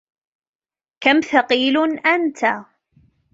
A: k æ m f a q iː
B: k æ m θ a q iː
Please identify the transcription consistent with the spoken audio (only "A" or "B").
B